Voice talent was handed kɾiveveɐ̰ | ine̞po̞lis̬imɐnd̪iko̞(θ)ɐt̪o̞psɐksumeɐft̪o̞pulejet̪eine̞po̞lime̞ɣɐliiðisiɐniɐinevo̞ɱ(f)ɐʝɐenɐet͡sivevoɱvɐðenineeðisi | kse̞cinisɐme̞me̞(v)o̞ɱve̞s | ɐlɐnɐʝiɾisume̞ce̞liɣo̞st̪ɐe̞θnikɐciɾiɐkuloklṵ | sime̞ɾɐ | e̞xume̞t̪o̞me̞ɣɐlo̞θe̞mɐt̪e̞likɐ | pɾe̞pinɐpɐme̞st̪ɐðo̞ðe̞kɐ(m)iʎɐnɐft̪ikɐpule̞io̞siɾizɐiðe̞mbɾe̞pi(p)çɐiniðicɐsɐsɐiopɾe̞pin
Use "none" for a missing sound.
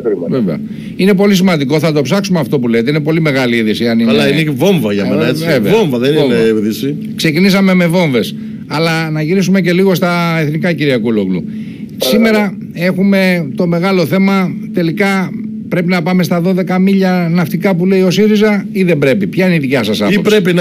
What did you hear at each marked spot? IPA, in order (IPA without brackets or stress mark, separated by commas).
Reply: θ, v, v, m, p